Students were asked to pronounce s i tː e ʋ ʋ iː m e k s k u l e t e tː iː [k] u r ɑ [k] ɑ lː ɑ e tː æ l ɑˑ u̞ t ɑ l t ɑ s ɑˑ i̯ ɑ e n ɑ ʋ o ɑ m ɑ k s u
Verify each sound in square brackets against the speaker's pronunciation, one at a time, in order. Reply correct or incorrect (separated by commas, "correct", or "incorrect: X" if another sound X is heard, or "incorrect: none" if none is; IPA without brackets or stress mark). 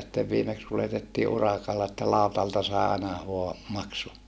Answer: incorrect: ʔ, correct